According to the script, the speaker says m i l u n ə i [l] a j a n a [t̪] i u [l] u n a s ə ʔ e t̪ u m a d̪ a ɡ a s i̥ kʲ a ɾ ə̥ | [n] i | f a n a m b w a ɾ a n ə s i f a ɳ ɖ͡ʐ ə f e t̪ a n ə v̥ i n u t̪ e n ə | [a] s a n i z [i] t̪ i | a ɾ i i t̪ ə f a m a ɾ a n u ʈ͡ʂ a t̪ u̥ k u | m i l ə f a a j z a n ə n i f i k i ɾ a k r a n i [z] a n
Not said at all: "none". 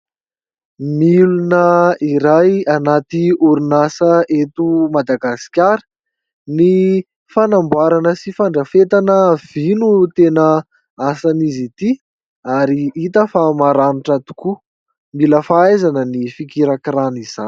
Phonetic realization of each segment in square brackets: ɾ, t̪, ɾ, n, a, i, z

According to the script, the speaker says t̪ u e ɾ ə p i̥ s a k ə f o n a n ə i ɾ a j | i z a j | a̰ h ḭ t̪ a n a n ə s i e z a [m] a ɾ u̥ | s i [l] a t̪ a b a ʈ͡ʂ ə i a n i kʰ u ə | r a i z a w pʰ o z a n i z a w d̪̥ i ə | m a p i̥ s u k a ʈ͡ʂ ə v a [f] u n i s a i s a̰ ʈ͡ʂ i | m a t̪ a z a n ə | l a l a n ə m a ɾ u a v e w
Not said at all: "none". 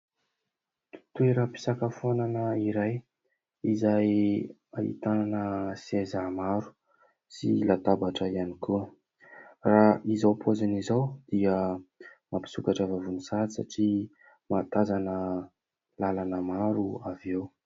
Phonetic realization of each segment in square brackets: m, l, v

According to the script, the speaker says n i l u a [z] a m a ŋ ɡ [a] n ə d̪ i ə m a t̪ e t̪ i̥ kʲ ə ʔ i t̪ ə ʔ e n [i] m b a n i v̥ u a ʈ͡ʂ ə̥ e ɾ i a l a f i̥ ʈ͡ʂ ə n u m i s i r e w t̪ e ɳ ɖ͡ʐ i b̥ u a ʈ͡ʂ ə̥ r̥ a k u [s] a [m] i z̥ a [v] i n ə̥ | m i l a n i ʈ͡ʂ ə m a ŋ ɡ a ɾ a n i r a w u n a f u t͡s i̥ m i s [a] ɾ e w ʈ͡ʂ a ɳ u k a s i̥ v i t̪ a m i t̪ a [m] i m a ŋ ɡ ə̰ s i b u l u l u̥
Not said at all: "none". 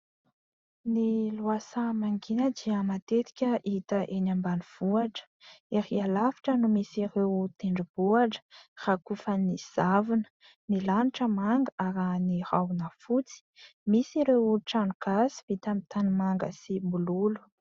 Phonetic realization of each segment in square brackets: s, i, a, f, n, v, i, n

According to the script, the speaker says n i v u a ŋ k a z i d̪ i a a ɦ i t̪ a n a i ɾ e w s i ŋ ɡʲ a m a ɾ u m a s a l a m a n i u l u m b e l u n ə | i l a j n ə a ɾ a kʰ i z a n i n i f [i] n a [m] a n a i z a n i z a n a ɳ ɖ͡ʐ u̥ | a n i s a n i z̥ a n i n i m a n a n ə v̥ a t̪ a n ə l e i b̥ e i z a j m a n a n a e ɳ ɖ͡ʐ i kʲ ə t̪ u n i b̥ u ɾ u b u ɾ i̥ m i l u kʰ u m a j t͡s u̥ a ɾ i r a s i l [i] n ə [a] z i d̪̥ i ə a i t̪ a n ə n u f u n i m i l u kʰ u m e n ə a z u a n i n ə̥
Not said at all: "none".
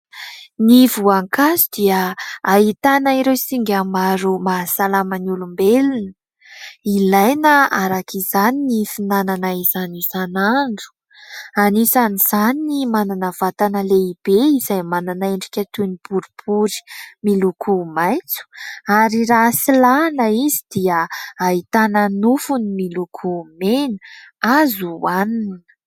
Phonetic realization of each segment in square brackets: i, n, a, i

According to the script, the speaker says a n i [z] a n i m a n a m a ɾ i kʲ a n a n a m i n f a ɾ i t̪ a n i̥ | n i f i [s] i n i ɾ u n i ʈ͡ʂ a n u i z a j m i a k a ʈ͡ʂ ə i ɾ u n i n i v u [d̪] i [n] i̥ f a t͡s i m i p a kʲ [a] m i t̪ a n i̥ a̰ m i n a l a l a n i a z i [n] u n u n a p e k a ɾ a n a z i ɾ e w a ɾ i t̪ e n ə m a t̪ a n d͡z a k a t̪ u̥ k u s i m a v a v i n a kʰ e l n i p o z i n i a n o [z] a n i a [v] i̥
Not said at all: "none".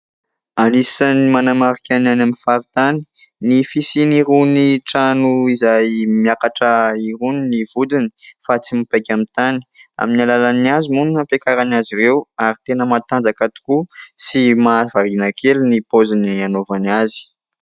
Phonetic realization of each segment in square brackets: s, s, d̪, n, a, m, v, z

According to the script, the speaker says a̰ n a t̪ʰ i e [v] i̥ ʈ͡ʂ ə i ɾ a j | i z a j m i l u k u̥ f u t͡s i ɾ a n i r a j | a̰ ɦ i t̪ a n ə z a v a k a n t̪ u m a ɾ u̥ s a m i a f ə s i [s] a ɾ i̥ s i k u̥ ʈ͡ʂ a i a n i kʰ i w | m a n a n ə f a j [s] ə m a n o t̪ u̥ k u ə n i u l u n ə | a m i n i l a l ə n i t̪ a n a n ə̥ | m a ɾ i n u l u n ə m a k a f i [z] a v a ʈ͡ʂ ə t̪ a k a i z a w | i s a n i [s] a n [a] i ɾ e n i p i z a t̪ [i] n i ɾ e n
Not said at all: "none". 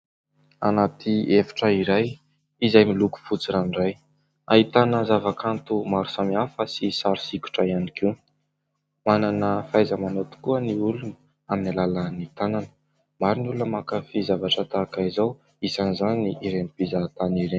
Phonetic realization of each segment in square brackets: f, s, z, z, z, i, a

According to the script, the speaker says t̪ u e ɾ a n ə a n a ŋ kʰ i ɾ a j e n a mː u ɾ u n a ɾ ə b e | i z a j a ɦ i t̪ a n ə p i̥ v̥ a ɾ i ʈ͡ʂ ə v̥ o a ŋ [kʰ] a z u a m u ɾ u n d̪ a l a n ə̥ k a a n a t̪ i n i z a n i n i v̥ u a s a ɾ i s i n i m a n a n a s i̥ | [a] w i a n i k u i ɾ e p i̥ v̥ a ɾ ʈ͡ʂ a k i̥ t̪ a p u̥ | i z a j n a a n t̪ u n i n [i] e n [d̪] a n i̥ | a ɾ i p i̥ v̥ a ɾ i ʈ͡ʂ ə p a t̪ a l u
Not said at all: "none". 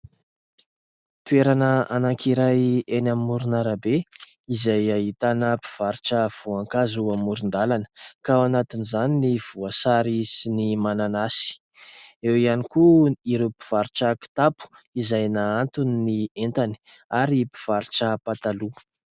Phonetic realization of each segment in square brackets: k, e, i, t̪

